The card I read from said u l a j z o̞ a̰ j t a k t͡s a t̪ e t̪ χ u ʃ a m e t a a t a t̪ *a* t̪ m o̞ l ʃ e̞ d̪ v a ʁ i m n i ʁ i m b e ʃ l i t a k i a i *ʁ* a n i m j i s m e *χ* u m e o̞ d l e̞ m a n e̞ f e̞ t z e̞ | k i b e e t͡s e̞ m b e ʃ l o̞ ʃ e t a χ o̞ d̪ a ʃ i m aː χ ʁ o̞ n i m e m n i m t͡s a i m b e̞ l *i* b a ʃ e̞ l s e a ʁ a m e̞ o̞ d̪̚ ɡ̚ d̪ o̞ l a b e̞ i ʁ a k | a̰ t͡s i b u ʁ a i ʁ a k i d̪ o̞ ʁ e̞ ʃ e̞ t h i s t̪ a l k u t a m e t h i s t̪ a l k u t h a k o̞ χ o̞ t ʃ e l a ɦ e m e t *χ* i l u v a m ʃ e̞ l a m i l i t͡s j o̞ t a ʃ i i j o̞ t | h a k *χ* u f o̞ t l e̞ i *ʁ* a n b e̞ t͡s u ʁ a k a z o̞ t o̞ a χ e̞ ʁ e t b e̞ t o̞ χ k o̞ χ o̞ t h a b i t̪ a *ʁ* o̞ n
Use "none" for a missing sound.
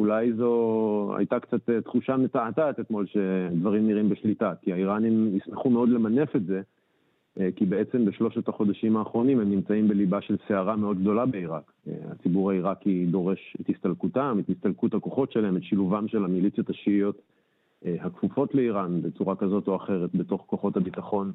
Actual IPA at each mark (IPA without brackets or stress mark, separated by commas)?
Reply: e, ʁ, χ, i, ʃ, f, ʁ, χ